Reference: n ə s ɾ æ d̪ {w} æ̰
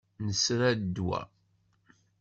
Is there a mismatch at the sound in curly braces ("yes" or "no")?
no